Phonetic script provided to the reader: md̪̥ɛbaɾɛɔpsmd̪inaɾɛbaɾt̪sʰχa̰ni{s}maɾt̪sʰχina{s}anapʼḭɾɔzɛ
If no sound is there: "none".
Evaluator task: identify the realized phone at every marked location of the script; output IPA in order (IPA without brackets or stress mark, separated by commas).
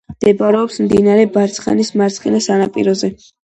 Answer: s, s